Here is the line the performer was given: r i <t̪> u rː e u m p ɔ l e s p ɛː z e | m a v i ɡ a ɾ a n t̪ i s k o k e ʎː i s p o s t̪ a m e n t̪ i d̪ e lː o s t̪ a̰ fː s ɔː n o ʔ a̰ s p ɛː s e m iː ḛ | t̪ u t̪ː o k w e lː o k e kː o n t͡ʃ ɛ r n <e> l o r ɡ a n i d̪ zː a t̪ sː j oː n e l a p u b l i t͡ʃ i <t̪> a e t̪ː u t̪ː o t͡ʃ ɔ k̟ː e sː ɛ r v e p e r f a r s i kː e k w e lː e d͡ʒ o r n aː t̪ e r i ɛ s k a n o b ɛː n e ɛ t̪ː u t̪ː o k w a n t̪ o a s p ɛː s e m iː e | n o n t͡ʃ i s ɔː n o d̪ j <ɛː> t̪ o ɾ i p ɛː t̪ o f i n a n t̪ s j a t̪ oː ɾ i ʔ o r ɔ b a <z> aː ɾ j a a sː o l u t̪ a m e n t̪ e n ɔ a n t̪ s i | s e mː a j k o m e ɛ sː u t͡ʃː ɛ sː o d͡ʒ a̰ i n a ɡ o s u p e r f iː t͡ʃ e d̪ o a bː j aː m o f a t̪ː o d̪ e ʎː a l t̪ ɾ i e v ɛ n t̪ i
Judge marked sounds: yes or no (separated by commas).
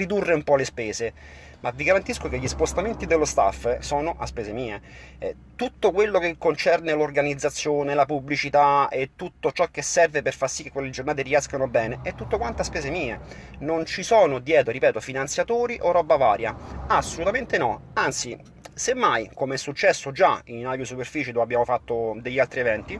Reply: no, yes, yes, yes, no